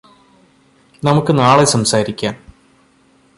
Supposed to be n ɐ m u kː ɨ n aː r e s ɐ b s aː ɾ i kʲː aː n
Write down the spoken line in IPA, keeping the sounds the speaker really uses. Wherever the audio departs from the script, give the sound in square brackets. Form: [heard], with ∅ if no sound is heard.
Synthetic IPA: n ɐ m u kː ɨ n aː [ɭ] e s ɐ [m] s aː ɾ i kʲː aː n